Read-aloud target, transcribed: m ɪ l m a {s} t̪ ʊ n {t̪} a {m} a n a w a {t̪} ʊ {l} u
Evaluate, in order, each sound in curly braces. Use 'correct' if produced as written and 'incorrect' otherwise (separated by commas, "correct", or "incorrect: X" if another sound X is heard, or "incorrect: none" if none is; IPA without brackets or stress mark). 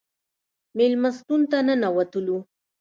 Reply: correct, correct, incorrect: n, correct, correct